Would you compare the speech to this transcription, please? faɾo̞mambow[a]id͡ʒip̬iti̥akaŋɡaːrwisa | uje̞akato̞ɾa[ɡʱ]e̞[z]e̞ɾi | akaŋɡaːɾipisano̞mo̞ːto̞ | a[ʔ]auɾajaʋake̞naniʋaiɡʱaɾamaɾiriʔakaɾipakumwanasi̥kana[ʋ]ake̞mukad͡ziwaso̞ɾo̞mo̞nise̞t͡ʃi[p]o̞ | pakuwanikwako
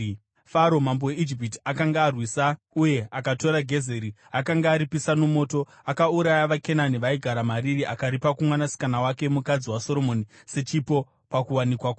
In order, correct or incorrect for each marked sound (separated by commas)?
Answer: incorrect, correct, correct, incorrect, incorrect, correct